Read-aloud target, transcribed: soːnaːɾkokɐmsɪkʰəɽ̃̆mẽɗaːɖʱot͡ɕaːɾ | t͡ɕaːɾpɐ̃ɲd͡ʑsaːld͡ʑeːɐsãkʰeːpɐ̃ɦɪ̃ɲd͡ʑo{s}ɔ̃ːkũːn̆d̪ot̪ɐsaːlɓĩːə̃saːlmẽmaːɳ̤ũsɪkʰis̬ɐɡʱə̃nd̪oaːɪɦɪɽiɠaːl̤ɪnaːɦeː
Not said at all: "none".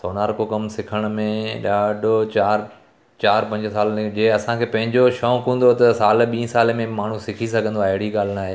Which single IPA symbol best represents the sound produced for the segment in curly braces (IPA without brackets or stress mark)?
ʃ